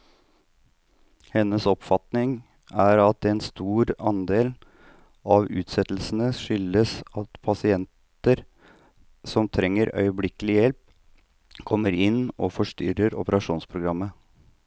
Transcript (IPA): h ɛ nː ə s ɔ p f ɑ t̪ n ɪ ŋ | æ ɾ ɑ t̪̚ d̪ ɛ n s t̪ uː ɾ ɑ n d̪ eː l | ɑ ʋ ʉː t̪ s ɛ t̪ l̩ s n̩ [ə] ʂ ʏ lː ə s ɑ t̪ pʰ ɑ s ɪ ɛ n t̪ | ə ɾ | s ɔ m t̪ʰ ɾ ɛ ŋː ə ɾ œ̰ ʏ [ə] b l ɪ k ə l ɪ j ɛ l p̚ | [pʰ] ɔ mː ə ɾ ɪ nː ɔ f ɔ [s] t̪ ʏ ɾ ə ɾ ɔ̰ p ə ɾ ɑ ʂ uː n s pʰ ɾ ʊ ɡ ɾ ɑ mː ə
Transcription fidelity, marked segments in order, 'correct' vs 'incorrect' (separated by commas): correct, correct, incorrect, incorrect